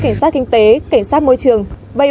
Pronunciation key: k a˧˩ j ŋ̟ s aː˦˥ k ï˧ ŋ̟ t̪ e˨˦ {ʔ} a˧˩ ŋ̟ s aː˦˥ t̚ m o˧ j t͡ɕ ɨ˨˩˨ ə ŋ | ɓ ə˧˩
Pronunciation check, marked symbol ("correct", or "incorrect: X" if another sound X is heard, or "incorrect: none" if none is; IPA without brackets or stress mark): incorrect: k